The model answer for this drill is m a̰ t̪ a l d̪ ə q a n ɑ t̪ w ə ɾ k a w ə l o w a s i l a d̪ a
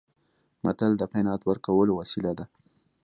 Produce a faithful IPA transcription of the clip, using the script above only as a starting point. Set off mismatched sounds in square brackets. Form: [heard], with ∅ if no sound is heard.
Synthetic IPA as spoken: m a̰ t̪ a l d̪ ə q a n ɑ t̪ w ə ɾ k a w ə l o w a s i l a d̪ a